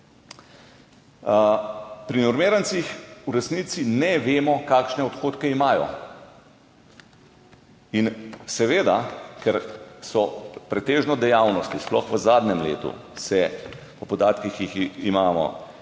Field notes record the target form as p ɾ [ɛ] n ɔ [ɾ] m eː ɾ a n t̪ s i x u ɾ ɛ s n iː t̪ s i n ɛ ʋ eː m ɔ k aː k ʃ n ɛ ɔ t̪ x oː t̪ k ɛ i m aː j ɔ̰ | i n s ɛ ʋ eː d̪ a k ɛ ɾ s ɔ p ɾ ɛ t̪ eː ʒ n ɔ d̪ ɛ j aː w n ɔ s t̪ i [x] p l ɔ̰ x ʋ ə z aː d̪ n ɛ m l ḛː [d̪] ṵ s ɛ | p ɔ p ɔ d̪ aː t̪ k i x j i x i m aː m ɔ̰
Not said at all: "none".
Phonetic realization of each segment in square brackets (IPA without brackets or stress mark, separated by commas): i, ɾ, s, t̪